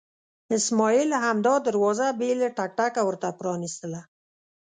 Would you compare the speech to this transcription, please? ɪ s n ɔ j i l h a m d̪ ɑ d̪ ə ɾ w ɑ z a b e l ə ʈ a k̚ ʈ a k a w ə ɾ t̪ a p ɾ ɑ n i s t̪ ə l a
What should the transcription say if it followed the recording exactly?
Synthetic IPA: ɪ s m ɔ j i l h a m d̪ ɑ d̪ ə ɾ w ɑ z a b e l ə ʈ a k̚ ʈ a k a w ə ɾ t̪ a p ɾ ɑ n i s t̪ ə l a